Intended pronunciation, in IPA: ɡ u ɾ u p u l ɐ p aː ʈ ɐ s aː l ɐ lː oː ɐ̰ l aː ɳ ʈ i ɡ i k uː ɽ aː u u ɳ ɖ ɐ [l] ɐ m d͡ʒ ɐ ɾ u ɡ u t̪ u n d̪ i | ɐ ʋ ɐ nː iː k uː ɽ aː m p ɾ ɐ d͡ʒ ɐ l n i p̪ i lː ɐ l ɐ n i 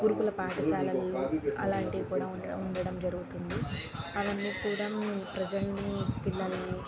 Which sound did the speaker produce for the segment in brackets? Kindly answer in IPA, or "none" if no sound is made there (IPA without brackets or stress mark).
ɽ